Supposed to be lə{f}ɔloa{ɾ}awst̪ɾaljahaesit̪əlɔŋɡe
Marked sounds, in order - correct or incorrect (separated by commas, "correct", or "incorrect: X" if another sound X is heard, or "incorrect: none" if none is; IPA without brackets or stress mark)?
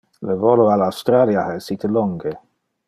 incorrect: v, incorrect: l